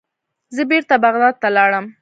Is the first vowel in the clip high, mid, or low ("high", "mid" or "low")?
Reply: mid